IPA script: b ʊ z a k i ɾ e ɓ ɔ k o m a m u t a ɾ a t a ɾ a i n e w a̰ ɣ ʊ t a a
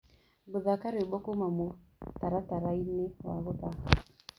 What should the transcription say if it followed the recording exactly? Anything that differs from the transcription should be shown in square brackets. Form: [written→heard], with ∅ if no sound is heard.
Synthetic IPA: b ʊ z a k [i→a] ɾ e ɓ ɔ k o m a m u t a ɾ a t a ɾ a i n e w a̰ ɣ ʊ t a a